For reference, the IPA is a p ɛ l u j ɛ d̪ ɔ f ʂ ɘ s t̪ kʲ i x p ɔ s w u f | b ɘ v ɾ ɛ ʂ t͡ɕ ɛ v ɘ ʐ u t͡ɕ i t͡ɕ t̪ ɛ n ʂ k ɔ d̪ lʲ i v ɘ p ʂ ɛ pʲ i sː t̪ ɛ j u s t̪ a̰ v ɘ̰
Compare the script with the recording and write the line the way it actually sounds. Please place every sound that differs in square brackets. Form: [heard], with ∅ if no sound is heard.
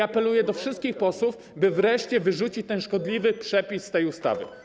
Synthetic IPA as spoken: a p ɛ l u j ɛ d̪ ɔ f ʂ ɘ s t̪ kʲ i x p ɔ s w u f | b ɘ v ɾ ɛ ʂ t͡ɕ ɛ v ɘ ʐ u t͡ɕ i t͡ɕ t̪ ɛ n ʂ k ɔ d̪ lʲ i v ɘ p ʂ ɛ pʲ i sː t̪ ɛ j u s t̪ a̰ v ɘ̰

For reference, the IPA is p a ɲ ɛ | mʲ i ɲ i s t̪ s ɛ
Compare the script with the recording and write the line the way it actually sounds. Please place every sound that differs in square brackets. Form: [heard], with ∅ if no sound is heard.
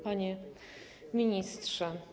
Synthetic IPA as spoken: p a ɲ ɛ | mʲ i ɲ i s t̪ [ʂ] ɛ

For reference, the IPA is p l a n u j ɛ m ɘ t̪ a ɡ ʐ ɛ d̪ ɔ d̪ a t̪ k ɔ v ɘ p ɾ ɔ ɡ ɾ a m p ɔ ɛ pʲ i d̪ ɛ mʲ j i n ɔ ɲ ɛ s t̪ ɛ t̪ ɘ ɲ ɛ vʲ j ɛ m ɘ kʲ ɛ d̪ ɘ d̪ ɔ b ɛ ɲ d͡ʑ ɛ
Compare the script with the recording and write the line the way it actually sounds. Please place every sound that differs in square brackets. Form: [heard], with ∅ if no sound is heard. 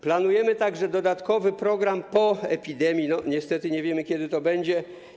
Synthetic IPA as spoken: p l a n u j ɛ m ɘ t̪ a ɡ ʐ ɛ d̪ ɔ d̪ a t̪ k ɔ v ɘ p ɾ ɔ ɡ ɾ a m p ɔ ɛ pʲ i d̪ ɛ mʲ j i n ɔ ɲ ɛ s t̪ ɛ t̪ ɘ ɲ ɛ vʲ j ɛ m ɘ kʲ ɛ d̪ ɘ [t̪] ɔ b ɛ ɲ d͡ʑ ɛ

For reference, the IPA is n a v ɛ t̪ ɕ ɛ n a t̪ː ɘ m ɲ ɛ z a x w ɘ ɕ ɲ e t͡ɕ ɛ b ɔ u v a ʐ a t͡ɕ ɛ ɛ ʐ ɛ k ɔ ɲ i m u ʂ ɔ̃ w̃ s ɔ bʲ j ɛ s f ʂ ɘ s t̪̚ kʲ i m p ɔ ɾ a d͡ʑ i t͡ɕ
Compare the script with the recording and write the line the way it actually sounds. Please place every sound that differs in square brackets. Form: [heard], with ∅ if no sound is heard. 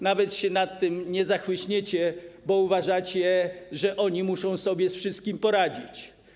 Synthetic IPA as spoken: n a v ɛ t̪ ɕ ɛ n a t̪ː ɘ m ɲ ɛ z a x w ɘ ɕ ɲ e t͡ɕ ɛ b ɔ u v a ʐ a t͡ɕ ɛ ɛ ʐ ɛ [ʔ] ɔ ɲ i m u ʂ ɔ̃ w̃ s ɔ bʲ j ɛ s f ʂ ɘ s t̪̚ kʲ i m p ɔ ɾ a d͡ʑ i t͡ɕ

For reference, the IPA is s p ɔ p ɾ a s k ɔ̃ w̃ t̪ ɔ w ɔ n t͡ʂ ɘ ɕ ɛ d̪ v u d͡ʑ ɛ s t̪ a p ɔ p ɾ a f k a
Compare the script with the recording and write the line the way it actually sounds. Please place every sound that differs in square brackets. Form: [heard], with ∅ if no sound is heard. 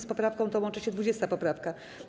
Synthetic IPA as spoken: s p ɔ p ɾ a [f] k ɔ̃ w̃ t̪ ɔ w ɔ n t͡ʂ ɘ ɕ ɛ d̪ v u d͡ʑ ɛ s t̪ a p ɔ p ɾ a f k a

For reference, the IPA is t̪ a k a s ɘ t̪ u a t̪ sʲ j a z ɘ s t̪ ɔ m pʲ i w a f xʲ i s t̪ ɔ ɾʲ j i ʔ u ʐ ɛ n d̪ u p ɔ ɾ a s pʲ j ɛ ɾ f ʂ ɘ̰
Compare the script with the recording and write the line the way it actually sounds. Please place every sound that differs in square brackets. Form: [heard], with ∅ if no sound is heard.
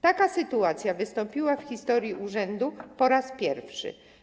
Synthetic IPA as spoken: t̪ a k a s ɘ t̪ u a t̪ sʲ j a [v] ɘ s t̪ ɔ m pʲ i w a f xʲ i s t̪ ɔ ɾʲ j i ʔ u ʐ ɛ n d̪ u p ɔ ɾ a s pʲ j ɛ ɾ f ʂ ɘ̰

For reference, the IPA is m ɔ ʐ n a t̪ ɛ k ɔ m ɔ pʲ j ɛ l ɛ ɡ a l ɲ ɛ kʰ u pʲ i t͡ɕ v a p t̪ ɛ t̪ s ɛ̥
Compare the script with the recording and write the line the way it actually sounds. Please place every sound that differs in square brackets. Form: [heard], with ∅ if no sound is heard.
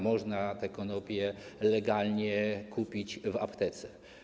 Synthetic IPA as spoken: m ɔ ʐ n a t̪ ɛ k ɔ [n] ɔ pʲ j ɛ l ɛ ɡ a l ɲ ɛ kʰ u pʲ i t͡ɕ v a p t̪ ɛ t̪ s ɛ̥

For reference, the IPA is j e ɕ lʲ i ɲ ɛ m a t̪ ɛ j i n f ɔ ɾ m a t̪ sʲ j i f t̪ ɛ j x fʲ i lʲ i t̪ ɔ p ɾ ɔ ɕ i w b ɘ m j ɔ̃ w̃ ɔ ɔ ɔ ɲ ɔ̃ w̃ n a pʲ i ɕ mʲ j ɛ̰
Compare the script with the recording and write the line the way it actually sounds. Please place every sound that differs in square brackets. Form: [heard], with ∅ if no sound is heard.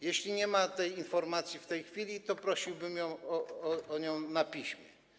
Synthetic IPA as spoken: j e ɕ lʲ i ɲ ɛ m a t̪ ɛ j i n f ɔ ɾ m a t̪ sʲ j i f t̪ ɛ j x fʲ i lʲ i t̪ ɔ p ɾ ɔ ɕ i w b ɘ m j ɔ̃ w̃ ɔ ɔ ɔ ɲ ɔ̃ w̃ n a pʲ i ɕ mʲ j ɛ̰

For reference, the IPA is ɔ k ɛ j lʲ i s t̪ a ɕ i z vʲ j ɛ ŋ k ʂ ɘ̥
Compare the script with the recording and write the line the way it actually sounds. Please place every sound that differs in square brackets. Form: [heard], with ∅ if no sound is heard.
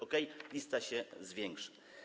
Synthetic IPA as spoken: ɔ k ɛ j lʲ i s t̪ a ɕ [ɛ] z vʲ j ɛ ŋ k ʂ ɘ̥

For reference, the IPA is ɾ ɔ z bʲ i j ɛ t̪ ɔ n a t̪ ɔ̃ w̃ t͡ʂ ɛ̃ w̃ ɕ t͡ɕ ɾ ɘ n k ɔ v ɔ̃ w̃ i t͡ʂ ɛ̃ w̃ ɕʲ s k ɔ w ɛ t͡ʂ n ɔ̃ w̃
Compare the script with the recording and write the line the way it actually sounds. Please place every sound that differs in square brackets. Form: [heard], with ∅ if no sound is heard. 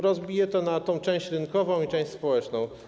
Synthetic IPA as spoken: ɾ ɔ z bʲ i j ɛ t̪ ɔ n a t̪ ɔ̃ w̃ t͡ʂ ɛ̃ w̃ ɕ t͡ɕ ɾ ɘ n k ɔ v ɔ̃ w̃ i t͡ʂ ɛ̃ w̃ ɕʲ s [p] ɔ w ɛ t͡ʂ n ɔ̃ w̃

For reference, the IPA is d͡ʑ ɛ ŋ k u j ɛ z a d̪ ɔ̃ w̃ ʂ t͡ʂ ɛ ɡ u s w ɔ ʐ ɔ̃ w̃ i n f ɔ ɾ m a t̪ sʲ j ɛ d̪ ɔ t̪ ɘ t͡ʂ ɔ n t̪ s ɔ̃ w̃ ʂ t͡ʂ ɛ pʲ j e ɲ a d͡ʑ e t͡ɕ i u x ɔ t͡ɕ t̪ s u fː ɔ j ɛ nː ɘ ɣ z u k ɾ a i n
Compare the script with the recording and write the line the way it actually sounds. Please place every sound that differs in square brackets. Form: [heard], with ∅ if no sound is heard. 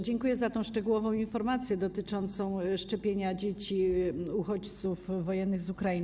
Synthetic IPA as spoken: d͡ʑ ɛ ŋ k u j ɛ z a [t̪] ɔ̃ w̃ ʂ t͡ʂ ɛ ɡ u [∅] w ɔ [v] ɔ̃ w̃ i n f ɔ ɾ m a t̪ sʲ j ɛ d̪ ɔ t̪ ɘ t͡ʂ ɔ n t̪ s ɔ̃ w̃ ʂ t͡ʂ ɛ pʲ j e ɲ a d͡ʑ e t͡ɕ i u x ɔ t͡ɕ t̪ s u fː ɔ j ɛ nː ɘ ɣ z u k ɾ a i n

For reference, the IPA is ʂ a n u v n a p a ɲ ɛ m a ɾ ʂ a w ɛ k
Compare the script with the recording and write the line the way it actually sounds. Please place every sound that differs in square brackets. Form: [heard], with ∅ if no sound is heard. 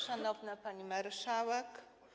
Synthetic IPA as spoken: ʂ a n [ɔ] v n a p a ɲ [i] m a ɾ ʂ a w ɛ k

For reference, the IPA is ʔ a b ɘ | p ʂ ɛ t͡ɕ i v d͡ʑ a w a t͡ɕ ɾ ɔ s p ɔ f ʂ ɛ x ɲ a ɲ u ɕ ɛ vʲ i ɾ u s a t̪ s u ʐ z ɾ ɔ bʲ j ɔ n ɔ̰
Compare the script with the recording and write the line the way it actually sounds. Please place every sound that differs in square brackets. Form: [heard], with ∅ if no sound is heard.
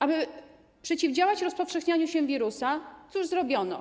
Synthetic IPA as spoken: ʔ a b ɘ | p ʂ ɛ t͡ɕ i v d͡ʑ a w a t͡ɕ ɾ ɔ s p ɔ f ʂ ɛ x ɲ a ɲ u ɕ ɛ vʲ i ɾ u s a t̪ s u ʐ z ɾ ɔ bʲ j ɔ n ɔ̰

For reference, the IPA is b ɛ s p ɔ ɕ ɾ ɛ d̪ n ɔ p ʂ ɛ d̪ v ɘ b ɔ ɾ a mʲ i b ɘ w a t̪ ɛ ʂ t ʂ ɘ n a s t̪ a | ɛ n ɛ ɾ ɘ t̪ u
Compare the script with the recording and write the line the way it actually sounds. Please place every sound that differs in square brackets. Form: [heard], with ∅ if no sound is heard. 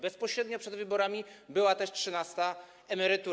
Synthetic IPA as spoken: b ɛ s p ɔ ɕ ɾ ɛ d̪ [ɲ] ɔ p ʂ ɛ d̪ v ɘ b ɔ ɾ a mʲ i b ɘ w a t̪ ɛ ʂ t ʂ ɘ n a s t̪ a | ɛ [m] ɛ ɾ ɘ t̪ u

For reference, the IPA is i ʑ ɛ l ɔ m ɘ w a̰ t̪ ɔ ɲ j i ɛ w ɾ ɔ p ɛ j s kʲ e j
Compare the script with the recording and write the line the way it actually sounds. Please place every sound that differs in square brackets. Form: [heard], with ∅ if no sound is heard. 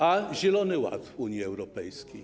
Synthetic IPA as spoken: [a] ʑ ɛ l ɔ [n] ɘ w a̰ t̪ [u] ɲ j i ɛ w ɾ ɔ p ɛ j s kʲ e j

